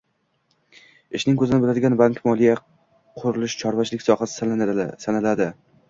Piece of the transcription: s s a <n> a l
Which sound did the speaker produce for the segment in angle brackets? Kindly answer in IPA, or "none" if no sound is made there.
n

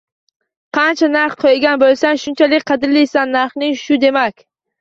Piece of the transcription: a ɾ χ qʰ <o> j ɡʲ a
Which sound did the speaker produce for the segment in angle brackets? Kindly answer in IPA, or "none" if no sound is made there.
o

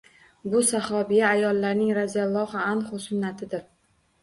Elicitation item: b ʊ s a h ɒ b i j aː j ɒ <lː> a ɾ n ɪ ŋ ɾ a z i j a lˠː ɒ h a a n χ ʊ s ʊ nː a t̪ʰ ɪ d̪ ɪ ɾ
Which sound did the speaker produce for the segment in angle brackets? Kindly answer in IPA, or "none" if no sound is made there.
lː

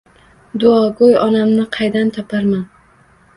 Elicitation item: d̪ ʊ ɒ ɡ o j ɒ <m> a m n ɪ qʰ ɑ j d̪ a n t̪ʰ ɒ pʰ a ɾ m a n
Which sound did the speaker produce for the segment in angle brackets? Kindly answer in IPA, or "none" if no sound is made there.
n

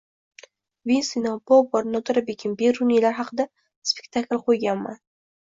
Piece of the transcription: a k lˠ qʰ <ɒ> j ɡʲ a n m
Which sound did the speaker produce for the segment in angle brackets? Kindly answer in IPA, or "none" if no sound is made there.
o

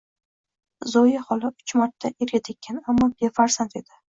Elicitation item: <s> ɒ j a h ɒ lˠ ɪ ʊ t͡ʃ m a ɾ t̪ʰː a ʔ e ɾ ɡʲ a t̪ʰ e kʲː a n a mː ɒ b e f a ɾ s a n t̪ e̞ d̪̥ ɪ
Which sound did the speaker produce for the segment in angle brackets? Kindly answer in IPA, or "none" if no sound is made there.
z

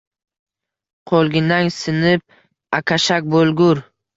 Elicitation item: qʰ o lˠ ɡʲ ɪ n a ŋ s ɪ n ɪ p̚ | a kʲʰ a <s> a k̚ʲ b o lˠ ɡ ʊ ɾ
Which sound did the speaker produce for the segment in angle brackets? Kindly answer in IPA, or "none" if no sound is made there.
ʃ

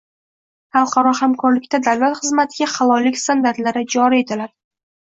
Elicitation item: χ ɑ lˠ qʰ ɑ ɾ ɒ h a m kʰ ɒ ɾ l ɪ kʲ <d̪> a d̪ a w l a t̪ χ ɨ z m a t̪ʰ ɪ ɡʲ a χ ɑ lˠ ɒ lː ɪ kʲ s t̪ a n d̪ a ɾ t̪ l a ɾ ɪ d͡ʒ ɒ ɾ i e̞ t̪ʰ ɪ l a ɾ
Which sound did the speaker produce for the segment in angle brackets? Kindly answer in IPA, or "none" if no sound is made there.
t̪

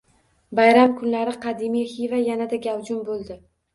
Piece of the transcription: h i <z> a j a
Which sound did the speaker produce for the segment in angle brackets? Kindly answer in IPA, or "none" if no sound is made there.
v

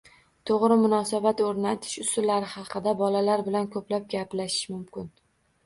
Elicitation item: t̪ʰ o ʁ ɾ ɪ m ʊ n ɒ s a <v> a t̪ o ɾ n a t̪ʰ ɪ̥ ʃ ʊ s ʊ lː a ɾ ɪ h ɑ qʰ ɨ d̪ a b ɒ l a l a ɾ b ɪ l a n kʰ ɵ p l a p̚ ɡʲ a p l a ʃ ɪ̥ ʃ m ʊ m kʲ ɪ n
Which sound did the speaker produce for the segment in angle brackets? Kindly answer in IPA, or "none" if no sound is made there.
b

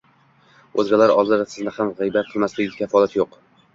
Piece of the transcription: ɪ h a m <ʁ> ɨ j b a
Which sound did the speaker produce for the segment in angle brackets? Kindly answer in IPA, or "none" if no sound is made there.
ʁ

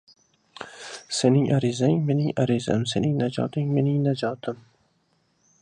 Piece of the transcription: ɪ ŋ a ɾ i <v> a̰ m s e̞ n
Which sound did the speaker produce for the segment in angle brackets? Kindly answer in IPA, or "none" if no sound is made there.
z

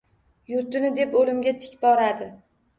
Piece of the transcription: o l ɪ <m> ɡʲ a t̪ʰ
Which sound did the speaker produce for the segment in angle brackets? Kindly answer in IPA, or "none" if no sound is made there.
m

